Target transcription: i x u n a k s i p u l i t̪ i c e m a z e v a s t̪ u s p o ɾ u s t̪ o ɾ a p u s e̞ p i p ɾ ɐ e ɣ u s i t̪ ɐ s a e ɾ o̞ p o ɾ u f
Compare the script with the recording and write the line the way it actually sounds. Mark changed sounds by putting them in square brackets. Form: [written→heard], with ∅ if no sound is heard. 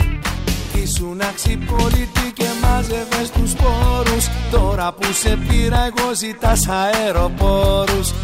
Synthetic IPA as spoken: i [x→s] u n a k s i p [u→o] l i t̪ i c e m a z e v [a→e] s t̪ u s p o ɾ u s t̪ o ɾ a p u s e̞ p i [p→∅] ɾ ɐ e ɣ [u→o] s i t̪ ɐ s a e ɾ o̞ p o ɾ u [f→s]